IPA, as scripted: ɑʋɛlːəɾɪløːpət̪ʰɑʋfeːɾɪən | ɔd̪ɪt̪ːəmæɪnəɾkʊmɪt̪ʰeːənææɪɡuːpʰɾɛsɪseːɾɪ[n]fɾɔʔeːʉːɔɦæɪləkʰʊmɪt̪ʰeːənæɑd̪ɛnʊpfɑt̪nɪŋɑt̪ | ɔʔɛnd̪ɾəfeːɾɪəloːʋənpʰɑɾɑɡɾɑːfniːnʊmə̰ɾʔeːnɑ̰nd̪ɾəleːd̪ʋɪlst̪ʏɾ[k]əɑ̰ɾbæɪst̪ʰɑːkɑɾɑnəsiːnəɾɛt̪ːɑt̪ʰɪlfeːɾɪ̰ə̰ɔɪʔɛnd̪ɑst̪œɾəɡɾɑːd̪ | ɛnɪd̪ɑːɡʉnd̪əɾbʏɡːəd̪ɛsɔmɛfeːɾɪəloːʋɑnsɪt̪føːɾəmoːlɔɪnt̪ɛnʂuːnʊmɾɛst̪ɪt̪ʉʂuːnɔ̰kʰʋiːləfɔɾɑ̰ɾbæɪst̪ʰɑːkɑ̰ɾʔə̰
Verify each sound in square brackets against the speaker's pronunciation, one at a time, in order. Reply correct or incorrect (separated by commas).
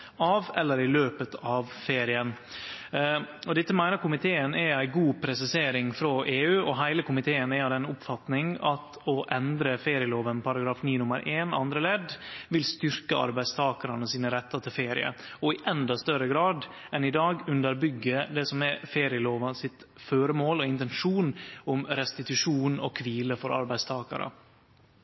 incorrect, correct